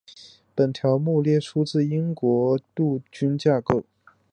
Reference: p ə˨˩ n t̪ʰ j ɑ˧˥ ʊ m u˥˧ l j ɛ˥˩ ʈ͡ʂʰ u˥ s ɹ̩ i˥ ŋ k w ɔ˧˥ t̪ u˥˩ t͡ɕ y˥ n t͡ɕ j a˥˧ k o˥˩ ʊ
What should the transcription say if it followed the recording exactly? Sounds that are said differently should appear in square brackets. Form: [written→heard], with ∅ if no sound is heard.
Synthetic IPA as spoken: p ə˨˩ n t̪ʰ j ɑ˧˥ ʊ m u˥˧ l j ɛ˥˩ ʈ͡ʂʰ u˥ [s→t͡s] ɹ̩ i˥ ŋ k w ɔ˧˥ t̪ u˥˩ t͡ɕ y˥ n t͡ɕ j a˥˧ k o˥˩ ʊ